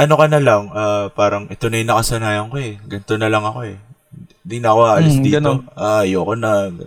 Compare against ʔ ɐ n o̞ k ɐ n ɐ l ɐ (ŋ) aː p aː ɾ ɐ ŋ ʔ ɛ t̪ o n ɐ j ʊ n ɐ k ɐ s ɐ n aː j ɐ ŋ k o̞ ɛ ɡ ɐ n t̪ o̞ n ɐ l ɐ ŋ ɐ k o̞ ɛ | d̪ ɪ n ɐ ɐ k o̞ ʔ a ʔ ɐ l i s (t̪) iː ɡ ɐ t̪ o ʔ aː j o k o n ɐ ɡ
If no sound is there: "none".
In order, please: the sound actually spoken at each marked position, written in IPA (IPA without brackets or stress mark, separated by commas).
ŋ, d̪